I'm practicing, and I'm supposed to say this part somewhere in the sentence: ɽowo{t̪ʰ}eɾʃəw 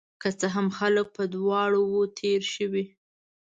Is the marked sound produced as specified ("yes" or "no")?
yes